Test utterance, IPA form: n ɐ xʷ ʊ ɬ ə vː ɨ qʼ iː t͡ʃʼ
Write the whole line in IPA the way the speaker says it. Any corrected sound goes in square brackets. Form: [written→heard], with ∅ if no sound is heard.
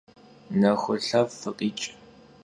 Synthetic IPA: n ɐ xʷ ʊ ɬ [ə→ɐ] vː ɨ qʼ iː t͡ʃʼ